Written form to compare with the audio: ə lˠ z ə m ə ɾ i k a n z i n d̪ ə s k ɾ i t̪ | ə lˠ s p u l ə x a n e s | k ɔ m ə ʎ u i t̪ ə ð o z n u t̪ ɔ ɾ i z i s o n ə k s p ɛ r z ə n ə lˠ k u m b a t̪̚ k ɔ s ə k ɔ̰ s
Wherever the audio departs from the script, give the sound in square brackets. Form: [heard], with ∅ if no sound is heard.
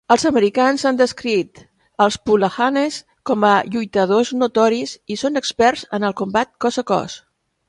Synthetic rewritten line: ə lˠ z ə m ə ɾ i k a n z [a] n d̪ ə s k ɾ i t̪ | ə lˠ s p u l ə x a n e s | k ɔ m ə ʎ u [j] t̪ ə ð o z n u t̪ ɔ ɾ i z i s o n ə k s p ɛ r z ə n ə lˠ k u m b a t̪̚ k ɔ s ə k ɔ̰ s